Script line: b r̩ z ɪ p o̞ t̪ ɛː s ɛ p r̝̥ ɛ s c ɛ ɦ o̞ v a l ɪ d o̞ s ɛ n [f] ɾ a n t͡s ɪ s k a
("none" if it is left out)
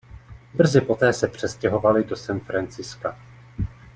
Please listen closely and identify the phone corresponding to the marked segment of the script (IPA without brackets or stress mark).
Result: f